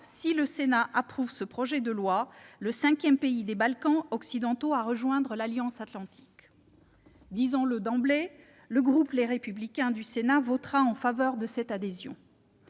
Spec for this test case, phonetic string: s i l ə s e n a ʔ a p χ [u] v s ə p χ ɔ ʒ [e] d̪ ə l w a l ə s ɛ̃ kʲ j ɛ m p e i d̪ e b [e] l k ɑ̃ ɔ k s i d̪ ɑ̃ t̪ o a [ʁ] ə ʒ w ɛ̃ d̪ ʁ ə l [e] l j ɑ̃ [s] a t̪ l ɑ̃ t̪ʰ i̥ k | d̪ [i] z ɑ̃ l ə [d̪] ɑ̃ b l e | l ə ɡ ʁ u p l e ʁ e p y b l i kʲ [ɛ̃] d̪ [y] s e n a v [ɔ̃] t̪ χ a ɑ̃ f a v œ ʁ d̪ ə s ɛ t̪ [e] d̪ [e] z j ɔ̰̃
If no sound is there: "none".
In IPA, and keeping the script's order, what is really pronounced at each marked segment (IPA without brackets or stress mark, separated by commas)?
u, ɛ, a, ʁ, a, s, i, d̪, ɛ̃, y, ɔ, a, e